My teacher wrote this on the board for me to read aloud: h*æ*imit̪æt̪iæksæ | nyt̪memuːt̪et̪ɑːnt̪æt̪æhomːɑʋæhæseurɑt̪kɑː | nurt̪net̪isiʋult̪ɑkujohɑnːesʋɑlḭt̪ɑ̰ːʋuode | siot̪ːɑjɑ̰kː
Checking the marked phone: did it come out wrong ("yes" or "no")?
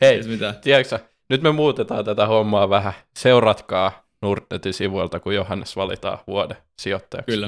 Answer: yes